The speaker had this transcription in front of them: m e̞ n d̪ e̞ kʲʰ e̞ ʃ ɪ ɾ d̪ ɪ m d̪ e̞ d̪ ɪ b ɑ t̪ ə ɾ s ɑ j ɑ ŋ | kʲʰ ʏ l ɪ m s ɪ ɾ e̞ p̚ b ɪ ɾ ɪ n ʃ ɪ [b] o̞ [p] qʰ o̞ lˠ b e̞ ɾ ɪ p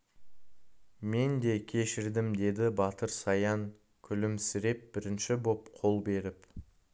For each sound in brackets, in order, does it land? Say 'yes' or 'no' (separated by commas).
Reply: yes, yes